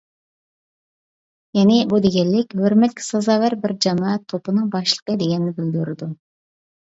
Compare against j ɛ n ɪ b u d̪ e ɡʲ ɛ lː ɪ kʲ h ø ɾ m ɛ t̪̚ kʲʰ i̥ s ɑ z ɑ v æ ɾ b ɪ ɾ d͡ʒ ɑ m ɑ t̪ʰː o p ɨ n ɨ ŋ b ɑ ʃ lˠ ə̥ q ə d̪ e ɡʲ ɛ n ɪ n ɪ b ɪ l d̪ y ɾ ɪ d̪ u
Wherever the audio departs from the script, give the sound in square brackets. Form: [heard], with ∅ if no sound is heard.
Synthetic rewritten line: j ɛ n ɪ b u d̪ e ɡʲ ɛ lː ɪ kʲ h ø ɾ m ɛ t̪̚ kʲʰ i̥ s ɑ z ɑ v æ ɾ b ɪ ɾ d͡ʒ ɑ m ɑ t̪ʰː o p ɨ n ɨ ŋ b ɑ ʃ lˠ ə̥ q ə d̪ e ɡʲ ɛ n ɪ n ɪ b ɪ l d̪ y ɾ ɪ d̪ u